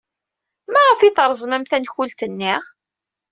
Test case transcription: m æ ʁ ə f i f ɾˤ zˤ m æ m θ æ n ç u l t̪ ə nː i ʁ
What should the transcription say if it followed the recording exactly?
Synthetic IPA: m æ ʁ ə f i θ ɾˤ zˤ m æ m θ æ n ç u l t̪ ə nː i ʁ